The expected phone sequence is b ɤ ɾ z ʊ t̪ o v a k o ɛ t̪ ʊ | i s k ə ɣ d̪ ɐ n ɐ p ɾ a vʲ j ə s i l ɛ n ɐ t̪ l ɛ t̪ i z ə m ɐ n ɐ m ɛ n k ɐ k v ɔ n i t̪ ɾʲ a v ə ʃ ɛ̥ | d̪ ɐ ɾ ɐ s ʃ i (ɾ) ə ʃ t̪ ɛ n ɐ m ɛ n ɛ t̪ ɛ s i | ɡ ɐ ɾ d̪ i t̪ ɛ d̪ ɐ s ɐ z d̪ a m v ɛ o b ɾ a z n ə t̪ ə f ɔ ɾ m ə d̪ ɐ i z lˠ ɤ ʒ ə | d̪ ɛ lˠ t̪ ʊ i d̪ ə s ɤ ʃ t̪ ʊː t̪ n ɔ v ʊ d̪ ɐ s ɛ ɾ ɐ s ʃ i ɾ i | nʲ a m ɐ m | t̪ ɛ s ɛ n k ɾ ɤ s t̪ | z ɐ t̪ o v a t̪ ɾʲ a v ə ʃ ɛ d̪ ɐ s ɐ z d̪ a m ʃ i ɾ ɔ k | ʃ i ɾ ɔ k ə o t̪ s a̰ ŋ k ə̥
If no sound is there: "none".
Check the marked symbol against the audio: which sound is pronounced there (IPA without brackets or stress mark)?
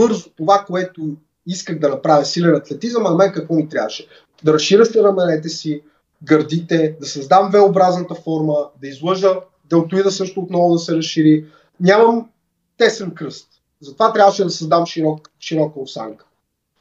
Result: ɾ